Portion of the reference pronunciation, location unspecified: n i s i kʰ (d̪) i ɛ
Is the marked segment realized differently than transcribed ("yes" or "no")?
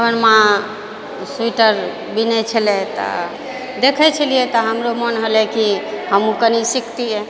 yes